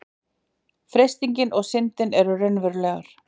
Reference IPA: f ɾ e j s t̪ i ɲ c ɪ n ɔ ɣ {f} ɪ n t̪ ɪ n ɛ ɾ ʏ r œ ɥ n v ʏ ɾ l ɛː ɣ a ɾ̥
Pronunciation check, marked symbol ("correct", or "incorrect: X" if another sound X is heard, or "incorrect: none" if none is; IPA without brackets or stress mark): incorrect: s